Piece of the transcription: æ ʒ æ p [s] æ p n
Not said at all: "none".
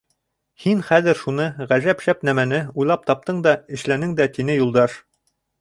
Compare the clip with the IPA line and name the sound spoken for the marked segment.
ʃ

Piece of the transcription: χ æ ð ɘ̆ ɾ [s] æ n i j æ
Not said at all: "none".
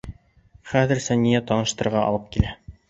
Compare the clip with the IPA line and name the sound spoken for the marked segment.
s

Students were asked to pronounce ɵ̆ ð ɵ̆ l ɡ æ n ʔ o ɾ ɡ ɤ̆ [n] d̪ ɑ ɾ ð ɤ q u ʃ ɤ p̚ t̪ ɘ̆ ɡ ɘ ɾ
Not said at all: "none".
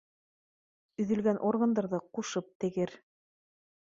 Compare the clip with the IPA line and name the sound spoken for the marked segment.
n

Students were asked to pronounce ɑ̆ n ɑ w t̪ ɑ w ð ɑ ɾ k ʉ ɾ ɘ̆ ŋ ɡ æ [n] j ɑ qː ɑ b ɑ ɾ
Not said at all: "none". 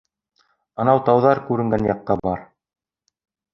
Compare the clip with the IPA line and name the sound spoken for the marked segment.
n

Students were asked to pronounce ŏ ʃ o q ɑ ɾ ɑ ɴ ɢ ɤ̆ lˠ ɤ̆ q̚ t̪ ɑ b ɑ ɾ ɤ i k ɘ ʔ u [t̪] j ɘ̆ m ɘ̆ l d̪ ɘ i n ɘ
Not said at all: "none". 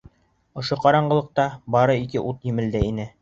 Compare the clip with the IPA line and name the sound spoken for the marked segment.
t̪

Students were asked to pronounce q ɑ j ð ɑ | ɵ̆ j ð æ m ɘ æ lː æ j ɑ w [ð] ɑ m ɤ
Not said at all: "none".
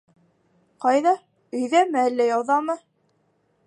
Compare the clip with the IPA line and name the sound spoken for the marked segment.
ð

